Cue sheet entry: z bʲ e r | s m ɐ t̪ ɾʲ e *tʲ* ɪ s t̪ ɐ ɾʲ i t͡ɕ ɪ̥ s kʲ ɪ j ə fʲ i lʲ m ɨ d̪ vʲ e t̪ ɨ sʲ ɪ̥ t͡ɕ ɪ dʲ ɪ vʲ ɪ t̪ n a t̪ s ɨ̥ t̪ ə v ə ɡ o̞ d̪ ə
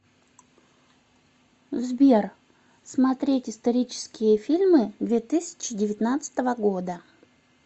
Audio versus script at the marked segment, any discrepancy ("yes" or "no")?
no